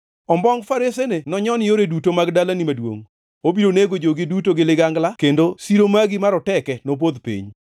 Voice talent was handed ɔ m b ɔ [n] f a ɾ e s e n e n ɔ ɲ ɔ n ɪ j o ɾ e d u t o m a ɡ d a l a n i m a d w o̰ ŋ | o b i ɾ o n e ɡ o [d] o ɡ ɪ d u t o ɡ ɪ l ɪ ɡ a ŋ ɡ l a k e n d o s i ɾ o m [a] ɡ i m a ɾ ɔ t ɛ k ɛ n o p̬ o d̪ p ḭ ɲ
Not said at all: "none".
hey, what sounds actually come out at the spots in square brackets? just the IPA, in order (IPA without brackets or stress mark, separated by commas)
ŋ, d͡ʒ, a